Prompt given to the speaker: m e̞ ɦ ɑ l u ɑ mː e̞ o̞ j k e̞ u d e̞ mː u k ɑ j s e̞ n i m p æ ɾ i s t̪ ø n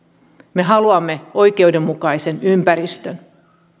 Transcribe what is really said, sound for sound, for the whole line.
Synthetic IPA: m e̞ ɦ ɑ l u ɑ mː e̞ o̞ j k e̞ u d e̞ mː u k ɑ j s e̞ n y m p æ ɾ i s t̪ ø n